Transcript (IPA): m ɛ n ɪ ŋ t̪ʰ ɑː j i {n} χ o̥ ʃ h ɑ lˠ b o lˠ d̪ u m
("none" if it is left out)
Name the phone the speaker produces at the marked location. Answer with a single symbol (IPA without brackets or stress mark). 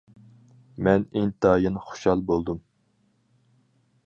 n